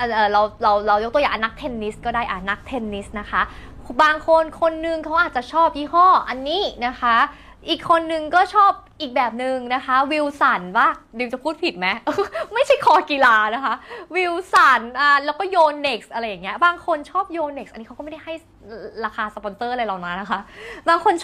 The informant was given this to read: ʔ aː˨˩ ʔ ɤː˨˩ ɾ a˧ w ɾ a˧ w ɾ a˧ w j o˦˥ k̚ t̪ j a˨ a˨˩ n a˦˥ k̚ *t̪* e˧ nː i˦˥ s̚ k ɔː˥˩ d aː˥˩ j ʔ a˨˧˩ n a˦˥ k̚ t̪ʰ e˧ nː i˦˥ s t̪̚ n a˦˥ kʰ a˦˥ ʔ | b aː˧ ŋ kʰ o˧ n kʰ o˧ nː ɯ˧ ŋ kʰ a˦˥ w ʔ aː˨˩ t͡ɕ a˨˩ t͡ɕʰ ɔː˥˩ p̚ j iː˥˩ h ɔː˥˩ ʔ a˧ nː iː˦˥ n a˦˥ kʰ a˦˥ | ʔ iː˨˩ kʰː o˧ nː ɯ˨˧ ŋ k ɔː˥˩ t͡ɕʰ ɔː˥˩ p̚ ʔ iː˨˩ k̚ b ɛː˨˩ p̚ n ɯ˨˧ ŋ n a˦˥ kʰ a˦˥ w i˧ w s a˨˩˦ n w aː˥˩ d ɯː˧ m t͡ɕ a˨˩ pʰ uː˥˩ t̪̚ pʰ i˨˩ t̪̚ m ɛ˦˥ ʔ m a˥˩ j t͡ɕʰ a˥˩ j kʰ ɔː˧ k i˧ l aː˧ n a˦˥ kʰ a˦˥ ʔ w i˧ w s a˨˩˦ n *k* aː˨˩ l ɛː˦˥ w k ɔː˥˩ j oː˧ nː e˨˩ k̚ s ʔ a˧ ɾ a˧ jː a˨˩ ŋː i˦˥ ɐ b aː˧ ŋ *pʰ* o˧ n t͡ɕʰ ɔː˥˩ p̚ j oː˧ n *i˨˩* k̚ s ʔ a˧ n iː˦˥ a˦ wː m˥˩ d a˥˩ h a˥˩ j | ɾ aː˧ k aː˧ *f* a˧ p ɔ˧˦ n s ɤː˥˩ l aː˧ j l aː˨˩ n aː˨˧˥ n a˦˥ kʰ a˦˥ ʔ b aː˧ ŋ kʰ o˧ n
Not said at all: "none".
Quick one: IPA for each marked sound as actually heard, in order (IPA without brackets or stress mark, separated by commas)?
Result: t̪ʰ, ʔ, kʰ, e˨˩, s